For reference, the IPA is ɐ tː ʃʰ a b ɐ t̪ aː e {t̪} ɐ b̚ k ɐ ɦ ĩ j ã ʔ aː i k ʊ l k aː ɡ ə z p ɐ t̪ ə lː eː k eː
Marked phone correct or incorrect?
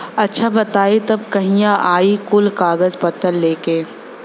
correct